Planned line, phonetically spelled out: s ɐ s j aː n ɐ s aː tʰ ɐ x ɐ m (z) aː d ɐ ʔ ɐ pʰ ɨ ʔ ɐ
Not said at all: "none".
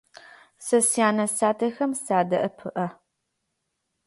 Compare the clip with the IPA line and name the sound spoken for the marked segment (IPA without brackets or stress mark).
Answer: s